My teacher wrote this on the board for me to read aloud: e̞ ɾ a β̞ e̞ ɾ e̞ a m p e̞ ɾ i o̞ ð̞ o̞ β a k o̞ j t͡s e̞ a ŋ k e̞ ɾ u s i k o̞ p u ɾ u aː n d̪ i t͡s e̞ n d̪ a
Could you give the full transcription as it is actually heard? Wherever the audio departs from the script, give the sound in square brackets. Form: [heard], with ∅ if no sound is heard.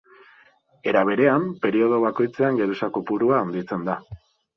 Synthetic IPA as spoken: e̞ ɾ a β̞ e̞ ɾ e̞ a m p e̞ ɾ i o̞ ð̞ o̞ β a k o̞ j t͡s e̞ a ŋ [ɡ] e̞ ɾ u s [a] k o̞ p u ɾ u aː n d̪ i t͡s e̞ n d̪ a